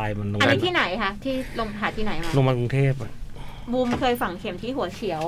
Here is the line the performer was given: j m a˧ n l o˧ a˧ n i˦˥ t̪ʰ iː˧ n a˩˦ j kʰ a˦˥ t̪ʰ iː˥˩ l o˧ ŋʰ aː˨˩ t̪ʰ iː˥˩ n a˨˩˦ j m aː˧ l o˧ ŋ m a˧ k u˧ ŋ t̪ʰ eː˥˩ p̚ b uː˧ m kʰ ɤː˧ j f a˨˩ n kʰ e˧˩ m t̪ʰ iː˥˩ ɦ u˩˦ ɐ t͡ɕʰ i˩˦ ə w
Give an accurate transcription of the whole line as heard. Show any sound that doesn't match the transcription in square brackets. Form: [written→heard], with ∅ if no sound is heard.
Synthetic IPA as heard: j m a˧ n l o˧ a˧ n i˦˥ t̪ʰ [iː˧→iː˥˩] n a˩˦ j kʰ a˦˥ t̪ʰ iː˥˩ l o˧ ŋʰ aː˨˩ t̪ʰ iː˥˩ n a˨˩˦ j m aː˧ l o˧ ŋ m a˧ k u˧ ŋ t̪ʰ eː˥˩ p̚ b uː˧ m kʰ ɤː˧ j f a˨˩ [n→ŋ] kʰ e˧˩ m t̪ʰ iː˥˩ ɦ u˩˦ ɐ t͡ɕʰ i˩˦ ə w